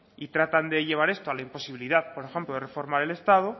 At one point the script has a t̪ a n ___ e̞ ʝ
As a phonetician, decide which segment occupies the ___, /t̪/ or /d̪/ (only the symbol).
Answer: d̪